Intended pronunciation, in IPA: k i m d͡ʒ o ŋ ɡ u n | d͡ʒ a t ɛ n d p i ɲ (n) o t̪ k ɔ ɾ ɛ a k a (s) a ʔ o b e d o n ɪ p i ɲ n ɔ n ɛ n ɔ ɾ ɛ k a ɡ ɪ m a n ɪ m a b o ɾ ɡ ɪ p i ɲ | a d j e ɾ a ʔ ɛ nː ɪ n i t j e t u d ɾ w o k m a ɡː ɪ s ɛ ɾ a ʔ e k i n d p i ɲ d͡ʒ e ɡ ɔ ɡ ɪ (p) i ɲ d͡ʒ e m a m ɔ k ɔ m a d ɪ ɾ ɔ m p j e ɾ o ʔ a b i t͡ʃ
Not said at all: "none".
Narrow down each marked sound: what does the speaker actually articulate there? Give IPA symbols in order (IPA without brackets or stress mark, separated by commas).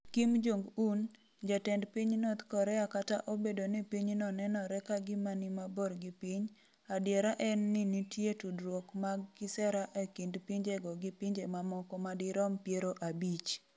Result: n, t, p